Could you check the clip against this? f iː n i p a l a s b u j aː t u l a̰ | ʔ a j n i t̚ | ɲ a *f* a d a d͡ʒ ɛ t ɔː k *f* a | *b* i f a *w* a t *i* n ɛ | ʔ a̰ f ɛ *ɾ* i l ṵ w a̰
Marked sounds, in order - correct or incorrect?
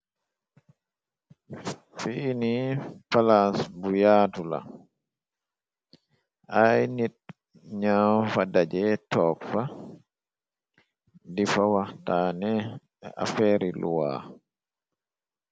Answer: correct, correct, incorrect, correct, incorrect, correct

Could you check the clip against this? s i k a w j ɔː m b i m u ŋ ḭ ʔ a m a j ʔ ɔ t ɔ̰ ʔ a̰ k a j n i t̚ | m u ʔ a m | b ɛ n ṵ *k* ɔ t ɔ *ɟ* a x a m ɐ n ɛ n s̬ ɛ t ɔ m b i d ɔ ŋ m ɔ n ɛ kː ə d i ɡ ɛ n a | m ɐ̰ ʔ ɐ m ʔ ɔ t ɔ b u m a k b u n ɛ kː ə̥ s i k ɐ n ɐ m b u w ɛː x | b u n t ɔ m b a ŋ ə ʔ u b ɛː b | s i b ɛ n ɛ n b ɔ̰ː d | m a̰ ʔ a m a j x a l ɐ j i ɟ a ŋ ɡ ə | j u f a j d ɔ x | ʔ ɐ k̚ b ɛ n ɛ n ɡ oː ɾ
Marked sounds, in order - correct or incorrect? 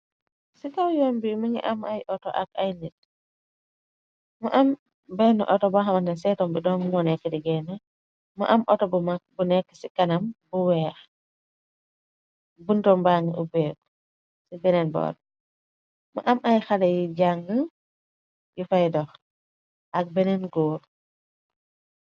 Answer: incorrect, incorrect

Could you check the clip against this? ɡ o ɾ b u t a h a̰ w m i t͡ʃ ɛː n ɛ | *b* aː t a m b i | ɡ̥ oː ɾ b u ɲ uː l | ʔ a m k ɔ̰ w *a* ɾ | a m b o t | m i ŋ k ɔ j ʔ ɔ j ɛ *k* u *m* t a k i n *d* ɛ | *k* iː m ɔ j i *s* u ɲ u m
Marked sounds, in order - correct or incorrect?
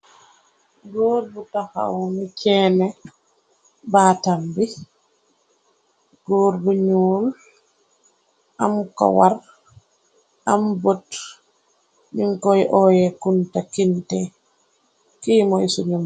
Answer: correct, correct, correct, incorrect, incorrect, correct, correct

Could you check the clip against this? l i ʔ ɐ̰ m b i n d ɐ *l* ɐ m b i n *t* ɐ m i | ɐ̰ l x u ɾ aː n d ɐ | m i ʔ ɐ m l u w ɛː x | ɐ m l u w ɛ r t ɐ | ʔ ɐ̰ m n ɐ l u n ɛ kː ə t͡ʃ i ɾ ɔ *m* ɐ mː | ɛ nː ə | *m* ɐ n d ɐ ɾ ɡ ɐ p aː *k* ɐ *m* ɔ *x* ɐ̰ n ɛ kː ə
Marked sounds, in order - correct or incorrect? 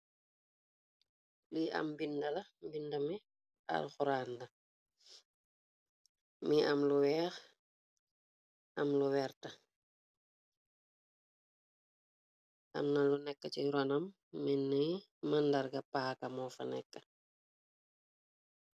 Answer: correct, incorrect, incorrect, correct, correct, correct, incorrect

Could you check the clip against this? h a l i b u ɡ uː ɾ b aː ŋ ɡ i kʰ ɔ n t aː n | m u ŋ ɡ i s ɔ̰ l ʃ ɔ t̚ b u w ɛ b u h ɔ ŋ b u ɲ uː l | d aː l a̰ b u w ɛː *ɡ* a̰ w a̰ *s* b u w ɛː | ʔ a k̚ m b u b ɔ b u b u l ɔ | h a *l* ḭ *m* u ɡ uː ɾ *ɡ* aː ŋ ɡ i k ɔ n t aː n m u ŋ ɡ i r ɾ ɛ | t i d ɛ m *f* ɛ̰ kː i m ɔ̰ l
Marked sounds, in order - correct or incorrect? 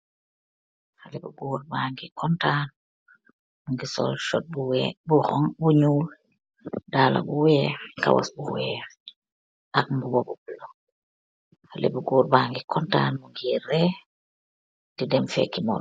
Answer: incorrect, correct, correct, incorrect, incorrect, correct

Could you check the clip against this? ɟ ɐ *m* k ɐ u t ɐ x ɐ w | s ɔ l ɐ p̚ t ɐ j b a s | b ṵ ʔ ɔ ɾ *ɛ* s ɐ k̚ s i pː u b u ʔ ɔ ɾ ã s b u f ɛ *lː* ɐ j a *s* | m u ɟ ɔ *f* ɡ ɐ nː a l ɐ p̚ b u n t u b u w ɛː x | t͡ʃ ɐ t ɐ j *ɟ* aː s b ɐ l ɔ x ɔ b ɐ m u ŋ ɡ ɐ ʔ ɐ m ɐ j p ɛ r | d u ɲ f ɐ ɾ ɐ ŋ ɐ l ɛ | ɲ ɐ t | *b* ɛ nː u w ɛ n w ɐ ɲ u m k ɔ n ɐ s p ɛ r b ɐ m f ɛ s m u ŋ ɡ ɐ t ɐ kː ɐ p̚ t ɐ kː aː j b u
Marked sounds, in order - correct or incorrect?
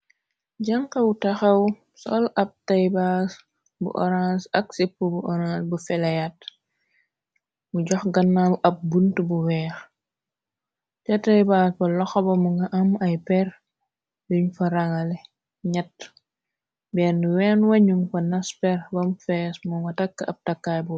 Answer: incorrect, incorrect, incorrect, incorrect, incorrect, incorrect, correct

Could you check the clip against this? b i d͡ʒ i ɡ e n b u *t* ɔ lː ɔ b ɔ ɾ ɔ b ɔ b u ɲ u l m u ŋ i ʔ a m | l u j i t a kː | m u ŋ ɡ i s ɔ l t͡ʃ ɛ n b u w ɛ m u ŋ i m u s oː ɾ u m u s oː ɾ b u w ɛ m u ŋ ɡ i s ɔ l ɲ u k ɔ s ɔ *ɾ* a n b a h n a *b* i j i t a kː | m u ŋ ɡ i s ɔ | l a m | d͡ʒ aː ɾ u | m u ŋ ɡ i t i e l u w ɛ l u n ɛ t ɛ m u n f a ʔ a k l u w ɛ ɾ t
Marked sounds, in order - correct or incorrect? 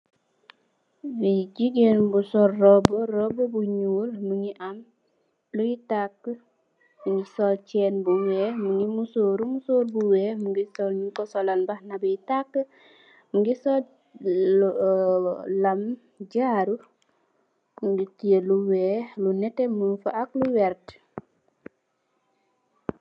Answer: incorrect, incorrect, correct

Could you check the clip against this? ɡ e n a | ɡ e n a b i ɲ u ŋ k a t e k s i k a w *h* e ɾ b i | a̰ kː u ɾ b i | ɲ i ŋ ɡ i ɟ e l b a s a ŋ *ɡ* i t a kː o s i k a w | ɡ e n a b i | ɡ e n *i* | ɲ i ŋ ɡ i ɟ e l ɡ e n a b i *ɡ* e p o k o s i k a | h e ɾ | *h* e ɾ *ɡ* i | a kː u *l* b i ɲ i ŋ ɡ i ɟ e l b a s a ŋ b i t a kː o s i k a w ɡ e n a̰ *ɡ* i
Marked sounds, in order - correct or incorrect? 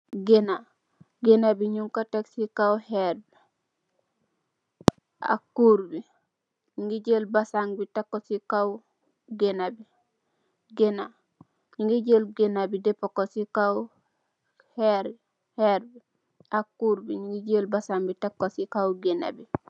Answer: correct, incorrect, incorrect, incorrect, correct, incorrect, incorrect, incorrect

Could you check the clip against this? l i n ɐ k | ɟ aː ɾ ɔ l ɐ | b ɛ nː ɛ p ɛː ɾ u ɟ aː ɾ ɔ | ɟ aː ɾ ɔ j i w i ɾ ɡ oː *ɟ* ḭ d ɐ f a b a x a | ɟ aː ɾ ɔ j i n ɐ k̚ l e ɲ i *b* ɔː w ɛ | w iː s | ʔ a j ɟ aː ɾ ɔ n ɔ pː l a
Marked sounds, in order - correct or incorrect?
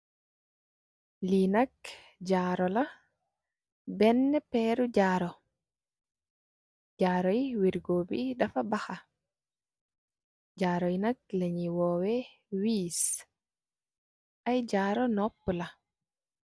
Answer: incorrect, incorrect

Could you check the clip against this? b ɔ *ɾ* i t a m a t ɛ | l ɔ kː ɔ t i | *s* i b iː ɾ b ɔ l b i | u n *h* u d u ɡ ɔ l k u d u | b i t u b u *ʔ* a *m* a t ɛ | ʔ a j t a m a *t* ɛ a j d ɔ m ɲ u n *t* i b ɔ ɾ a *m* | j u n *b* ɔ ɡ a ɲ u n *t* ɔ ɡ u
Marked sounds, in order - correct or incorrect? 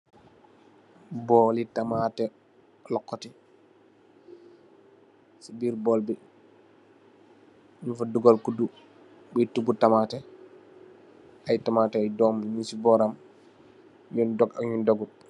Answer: incorrect, correct, incorrect, incorrect, correct, correct, incorrect, correct, incorrect, incorrect

